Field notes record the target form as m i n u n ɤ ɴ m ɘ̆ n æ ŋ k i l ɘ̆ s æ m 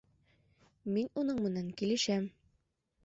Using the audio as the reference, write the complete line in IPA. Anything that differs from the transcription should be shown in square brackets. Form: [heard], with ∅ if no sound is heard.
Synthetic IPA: m i n u n ɤ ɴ m ɘ̆ n æ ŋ k i l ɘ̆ [ʃ] æ m